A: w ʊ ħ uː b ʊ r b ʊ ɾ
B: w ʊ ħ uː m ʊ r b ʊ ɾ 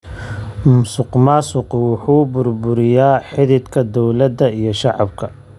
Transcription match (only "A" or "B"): A